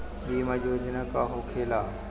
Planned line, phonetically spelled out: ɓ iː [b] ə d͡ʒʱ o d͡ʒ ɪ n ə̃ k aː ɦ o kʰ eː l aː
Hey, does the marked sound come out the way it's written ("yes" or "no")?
no